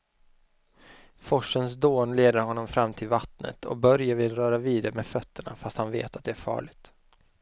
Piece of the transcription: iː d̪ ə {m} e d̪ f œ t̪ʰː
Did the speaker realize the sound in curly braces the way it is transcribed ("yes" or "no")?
yes